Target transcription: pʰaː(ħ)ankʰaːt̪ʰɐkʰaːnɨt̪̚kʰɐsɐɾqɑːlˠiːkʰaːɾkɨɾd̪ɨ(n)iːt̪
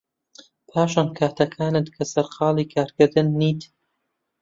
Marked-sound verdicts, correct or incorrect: incorrect: ʃ, incorrect: nː

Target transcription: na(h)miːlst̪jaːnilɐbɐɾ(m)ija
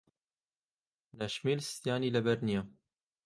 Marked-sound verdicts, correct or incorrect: incorrect: ʃ, incorrect: n

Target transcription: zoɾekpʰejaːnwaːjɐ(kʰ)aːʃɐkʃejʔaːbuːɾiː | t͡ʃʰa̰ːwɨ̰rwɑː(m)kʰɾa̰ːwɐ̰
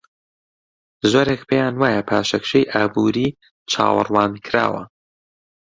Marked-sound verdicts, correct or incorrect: incorrect: pʰ, incorrect: n

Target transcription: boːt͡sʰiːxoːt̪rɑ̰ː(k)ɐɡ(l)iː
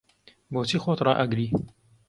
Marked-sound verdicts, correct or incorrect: incorrect: ʔ, incorrect: ɾ

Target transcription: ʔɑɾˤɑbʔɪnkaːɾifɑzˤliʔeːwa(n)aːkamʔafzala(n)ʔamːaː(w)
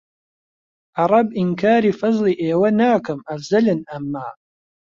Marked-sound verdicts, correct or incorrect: correct, correct, incorrect: none

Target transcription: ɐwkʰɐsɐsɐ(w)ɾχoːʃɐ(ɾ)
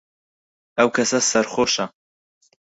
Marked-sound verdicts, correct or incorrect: incorrect: none, incorrect: none

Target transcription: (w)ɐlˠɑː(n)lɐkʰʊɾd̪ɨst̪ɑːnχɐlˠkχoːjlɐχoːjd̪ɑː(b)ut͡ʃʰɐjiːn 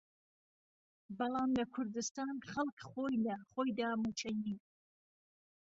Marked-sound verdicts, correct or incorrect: incorrect: b, incorrect: m, incorrect: m

